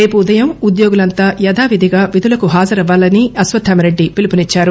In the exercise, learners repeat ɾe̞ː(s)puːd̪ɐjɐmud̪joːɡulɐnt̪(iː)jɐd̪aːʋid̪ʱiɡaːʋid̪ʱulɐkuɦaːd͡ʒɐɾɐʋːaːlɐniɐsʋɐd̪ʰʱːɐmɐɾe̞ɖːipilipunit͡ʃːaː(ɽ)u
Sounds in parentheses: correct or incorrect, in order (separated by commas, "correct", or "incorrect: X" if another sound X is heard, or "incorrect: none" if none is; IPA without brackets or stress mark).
incorrect: none, incorrect: aː, incorrect: ɾ